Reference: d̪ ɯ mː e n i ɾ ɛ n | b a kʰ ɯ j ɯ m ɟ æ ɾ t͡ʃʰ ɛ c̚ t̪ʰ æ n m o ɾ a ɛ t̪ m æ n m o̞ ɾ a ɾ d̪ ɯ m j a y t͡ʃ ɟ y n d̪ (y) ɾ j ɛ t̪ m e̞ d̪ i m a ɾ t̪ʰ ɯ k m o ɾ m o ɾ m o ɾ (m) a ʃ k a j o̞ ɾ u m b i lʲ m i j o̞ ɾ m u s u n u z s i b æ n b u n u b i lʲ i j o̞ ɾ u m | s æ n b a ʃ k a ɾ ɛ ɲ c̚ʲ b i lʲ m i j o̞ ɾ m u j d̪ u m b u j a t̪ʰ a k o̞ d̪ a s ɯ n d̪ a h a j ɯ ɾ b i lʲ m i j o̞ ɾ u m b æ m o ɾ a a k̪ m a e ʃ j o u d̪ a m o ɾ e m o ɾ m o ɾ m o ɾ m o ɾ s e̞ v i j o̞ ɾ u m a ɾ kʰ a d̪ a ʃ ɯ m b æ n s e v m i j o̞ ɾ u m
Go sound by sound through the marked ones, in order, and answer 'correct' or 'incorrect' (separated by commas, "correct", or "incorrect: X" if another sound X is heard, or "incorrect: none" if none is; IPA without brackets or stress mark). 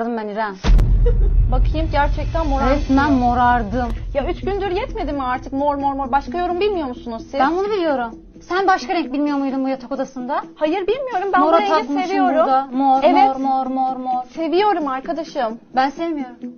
correct, incorrect: b